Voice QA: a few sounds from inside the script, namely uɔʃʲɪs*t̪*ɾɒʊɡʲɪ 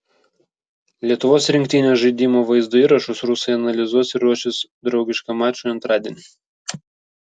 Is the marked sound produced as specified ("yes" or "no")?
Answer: no